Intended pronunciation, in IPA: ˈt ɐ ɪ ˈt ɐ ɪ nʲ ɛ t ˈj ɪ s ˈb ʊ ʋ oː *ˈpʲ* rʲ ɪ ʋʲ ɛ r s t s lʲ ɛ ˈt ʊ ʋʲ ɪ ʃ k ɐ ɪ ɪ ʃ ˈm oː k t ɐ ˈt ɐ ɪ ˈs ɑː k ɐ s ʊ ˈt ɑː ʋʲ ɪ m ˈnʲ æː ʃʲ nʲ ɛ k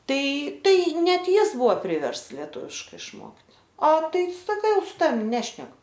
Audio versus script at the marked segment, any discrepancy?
no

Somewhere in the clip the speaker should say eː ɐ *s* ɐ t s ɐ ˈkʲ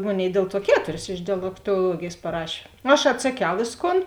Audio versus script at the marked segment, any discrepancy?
yes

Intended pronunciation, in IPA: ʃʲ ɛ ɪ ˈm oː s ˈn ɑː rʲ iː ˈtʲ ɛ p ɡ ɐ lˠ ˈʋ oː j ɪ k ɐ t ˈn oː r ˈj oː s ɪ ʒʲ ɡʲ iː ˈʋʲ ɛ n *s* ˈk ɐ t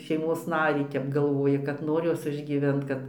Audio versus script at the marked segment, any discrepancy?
yes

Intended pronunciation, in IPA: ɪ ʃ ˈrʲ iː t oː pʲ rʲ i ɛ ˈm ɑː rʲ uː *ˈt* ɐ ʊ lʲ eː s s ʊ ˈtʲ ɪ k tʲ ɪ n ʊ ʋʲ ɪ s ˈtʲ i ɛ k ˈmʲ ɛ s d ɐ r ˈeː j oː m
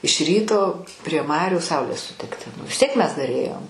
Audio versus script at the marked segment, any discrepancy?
yes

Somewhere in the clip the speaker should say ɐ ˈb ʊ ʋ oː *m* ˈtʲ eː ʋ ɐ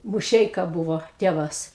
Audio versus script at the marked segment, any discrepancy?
yes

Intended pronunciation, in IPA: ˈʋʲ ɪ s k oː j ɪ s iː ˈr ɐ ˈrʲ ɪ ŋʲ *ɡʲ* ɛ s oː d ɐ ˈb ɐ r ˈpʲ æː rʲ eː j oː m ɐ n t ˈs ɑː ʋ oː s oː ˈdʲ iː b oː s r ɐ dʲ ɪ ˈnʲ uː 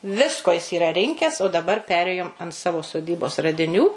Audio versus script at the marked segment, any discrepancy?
yes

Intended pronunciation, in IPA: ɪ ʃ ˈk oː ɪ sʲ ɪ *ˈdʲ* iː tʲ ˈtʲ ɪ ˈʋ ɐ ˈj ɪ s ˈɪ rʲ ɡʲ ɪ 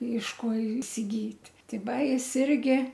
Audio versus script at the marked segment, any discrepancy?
yes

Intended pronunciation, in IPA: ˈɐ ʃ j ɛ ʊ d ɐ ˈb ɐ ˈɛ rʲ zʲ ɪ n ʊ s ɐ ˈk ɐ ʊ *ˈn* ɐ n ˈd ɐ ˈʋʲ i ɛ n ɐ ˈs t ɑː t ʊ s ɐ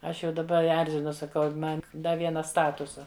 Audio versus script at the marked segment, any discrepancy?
yes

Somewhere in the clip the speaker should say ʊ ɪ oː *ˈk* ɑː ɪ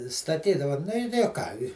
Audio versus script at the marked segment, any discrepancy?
no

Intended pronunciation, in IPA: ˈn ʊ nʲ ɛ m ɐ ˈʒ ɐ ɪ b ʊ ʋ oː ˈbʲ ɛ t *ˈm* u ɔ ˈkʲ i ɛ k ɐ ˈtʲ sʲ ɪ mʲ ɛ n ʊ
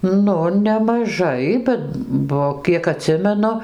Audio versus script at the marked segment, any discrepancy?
yes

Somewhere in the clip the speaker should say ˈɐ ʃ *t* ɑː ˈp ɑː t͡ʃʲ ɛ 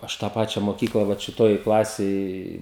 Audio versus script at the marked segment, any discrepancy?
no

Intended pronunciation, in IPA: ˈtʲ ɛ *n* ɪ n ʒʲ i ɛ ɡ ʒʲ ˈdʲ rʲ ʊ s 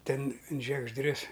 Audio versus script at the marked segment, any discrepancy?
no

